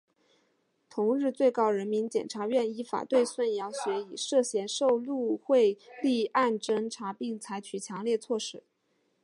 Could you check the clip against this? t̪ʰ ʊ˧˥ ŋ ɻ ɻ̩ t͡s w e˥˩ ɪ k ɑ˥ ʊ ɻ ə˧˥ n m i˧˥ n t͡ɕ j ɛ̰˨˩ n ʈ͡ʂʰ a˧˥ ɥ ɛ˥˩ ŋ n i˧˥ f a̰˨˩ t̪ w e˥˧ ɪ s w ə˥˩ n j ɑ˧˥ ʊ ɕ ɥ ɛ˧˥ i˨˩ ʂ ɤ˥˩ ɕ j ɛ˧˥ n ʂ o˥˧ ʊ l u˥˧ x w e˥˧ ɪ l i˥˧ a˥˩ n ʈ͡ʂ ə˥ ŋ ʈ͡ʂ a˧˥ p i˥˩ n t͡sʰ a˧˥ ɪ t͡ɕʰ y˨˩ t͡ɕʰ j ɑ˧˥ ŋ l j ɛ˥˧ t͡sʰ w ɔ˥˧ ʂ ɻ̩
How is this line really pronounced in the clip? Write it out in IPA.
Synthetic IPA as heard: t̪ʰ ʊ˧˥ ŋ ɻ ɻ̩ t͡s w e˥˩ ɪ k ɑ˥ ʊ ɻ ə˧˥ n m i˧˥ n t͡ɕ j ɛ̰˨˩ n ʈ͡ʂʰ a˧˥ ɥ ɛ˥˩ n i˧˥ f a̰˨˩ t̪ w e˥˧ ɪ s w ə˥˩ n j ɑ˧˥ ʊ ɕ ɥ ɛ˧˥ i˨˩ ʂ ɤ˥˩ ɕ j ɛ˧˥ n ʂ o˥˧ ʊ l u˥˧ x w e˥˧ ɪ l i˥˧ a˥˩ n ʈ͡ʂ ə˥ ŋ ʈ͡ʂʰ a˧˥ p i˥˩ ŋ t͡sʰ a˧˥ ɪ t͡ɕʰ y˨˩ t͡ɕʰ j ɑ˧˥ ŋ l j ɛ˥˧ t͡sʰ w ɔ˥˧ ʂ ɻ̩